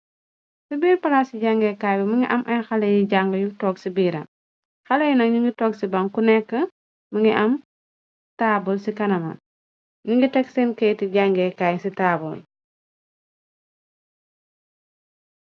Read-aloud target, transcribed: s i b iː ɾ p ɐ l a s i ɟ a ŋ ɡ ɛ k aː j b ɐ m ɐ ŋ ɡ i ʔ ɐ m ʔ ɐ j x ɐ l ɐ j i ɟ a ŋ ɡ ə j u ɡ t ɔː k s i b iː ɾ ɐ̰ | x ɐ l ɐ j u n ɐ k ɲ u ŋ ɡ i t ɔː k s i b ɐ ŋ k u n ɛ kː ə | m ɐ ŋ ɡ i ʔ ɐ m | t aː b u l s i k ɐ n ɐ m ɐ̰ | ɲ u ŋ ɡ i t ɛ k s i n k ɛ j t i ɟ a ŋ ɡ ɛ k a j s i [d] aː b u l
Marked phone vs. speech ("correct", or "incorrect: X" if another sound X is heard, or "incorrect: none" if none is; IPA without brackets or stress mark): incorrect: t